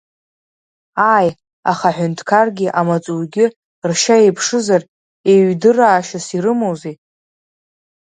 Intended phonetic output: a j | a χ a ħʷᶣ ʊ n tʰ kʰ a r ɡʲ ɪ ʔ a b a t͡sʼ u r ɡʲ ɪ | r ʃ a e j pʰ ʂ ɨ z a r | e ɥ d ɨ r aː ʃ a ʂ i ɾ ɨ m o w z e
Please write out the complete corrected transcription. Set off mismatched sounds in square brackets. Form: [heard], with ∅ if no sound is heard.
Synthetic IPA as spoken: a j | a χ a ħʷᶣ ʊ n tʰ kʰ a r ɡʲ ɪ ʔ a [m] a t͡sʼ u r ɡʲ ɪ | r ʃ a e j pʰ ʂ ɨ z a r | e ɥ d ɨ r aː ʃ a [s] i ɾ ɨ m o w z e